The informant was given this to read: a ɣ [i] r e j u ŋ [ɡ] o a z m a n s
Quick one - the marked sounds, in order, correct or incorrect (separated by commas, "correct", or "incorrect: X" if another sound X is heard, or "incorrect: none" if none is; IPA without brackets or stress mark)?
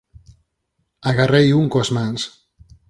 incorrect: a, incorrect: k